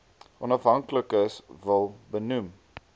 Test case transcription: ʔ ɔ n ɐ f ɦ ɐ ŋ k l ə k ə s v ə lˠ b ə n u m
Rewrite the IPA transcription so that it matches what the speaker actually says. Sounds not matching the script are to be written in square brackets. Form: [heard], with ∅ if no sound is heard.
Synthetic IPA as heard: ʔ ɔ n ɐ f ɦ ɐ ŋ k l ə k ə s v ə lˠ b ə n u m